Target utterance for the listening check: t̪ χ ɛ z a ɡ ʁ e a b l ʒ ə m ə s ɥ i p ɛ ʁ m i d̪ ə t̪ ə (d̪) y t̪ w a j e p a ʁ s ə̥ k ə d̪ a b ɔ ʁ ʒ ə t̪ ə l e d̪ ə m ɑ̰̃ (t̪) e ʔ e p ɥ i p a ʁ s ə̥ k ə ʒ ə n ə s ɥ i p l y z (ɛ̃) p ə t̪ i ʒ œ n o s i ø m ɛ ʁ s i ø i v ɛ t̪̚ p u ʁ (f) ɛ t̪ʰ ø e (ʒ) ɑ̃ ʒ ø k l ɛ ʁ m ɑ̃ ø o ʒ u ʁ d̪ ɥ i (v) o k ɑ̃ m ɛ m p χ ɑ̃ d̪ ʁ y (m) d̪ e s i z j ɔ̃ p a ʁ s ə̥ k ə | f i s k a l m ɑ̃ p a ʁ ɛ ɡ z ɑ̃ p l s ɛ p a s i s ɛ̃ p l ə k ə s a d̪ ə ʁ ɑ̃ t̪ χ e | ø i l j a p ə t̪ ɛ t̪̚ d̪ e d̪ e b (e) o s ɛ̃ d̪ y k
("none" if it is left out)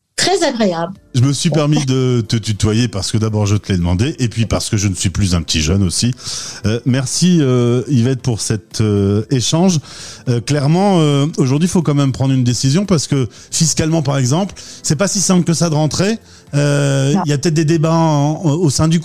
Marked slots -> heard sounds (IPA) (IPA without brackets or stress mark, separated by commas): t̪, d̪, ɛ̃, s, ʃ, f, n, a